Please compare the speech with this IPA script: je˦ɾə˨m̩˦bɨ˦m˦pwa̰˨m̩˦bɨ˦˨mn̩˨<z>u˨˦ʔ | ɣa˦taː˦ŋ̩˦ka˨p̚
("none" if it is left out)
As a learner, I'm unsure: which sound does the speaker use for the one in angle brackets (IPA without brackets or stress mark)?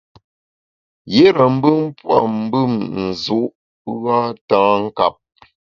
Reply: z